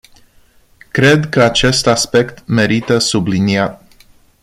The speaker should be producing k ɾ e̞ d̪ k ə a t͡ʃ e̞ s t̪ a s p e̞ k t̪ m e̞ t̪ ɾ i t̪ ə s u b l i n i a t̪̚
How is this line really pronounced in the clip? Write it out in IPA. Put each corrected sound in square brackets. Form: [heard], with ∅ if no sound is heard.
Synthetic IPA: k ɾ e̞ d̪ k ə a t͡ʃ e̞ s t̪ a s p e̞ k t̪ m e̞ [∅] ɾ i t̪ ə s u b l i n i a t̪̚

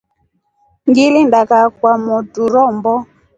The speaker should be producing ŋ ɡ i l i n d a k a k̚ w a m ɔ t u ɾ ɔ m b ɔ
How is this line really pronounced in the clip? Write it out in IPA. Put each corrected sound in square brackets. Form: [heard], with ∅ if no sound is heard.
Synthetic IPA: ŋ ɡ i l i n d a k a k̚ w a m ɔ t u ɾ ɔ m b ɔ

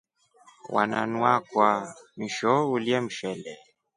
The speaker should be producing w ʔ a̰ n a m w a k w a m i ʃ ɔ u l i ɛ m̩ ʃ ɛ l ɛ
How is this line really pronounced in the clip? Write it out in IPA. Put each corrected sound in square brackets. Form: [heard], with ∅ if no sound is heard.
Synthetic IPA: w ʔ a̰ n a [n] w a k w a m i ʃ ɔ u l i ɛ m̩ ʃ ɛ l ɛ

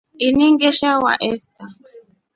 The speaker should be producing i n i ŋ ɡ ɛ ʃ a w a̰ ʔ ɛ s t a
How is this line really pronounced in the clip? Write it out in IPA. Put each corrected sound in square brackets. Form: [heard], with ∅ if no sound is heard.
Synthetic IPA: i n i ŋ ɡ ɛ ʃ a w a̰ ʔ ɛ s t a

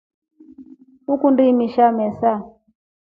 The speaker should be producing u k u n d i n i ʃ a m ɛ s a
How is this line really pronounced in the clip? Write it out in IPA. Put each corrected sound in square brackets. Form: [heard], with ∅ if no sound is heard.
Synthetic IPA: u k u n d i [m] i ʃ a m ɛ s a

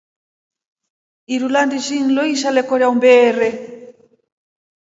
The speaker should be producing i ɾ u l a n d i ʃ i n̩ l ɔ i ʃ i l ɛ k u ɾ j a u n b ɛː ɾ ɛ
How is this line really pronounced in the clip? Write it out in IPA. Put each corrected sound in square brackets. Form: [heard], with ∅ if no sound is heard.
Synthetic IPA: i ɾ u l a n d i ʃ i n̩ l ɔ i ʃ [a] l ɛ k [ɔ] ɾ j a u [m] b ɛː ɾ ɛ

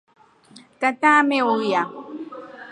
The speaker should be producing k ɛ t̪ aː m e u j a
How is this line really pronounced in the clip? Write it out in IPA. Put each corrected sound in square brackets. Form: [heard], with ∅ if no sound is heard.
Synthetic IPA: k [a] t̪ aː m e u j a

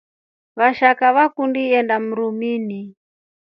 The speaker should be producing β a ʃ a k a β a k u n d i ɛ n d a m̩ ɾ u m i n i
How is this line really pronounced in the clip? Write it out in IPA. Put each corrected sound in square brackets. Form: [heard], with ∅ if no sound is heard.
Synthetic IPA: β a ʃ a k a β a k u n d i ɛ n d a m̩ ɾ u m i n i

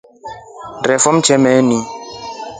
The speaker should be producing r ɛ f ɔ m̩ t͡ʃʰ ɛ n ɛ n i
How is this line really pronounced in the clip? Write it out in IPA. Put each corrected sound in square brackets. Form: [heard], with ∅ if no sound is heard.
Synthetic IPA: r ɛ f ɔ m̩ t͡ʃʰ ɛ [m] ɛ n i

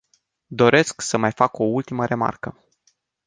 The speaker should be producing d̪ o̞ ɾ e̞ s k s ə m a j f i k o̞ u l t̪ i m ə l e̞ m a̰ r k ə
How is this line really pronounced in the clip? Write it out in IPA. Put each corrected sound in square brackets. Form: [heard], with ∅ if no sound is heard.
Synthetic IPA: d̪ o̞ ɾ e̞ s k s ə m a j f [a] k o̞ u l t̪ i m ə [ɾ] e̞ m a̰ r k ə

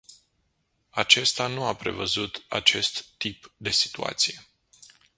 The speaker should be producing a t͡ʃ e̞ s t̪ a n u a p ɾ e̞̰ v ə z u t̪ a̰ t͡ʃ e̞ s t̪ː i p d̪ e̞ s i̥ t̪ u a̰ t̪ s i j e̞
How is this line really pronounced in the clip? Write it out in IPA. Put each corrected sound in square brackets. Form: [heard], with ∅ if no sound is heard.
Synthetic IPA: a t͡ʃ e̞ s t̪ a n u a p ɾ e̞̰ v ə z u t̪ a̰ t͡ʃ e̞ s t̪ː i p d̪ e̞ s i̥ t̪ u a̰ t̪ s i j e̞

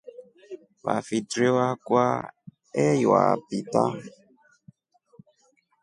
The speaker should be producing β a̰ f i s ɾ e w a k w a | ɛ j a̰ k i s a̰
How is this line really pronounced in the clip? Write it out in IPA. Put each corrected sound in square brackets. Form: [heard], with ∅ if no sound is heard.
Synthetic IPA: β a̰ f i [t] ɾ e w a k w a | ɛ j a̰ [p] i [t] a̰

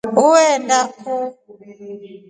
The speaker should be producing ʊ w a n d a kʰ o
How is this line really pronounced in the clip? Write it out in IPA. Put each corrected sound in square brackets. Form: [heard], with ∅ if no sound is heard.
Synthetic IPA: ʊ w [ɛ] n d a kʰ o

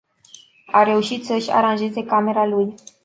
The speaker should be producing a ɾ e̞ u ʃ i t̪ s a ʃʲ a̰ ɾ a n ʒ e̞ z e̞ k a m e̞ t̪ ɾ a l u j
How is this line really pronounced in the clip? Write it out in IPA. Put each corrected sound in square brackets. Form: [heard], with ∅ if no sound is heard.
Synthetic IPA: a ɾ e̞ u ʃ i t̪ s [ə] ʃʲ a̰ ɾ a n ʒ e̞ z e̞ k a m e̞ [∅] ɾ a l u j

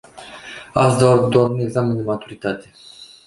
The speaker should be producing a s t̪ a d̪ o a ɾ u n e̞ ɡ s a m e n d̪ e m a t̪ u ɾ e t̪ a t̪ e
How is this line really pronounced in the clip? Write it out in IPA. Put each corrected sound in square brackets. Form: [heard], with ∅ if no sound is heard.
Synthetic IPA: a s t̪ a d̪ o a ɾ u n e̞ ɡ [z] a m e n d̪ e m a t̪ u ɾ [i] t̪ a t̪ e

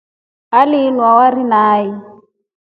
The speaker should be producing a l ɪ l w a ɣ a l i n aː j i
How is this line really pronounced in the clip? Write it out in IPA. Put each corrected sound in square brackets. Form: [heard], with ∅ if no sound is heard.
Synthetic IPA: a l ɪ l w a [w] a [r] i n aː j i

